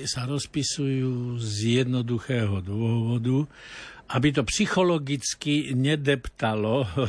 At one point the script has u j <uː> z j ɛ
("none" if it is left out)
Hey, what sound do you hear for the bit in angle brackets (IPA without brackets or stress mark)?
uː